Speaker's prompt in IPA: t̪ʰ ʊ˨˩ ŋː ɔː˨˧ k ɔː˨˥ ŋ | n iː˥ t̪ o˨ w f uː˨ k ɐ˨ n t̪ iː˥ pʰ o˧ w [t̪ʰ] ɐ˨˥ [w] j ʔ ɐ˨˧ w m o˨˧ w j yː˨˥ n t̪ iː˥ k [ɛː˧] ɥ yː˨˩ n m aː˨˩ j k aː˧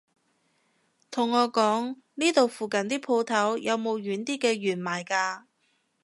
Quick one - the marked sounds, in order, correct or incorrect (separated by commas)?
correct, correct, correct